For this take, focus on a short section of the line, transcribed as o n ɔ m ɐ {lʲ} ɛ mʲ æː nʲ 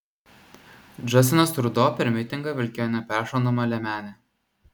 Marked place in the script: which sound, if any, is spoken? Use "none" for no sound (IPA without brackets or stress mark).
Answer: lʲ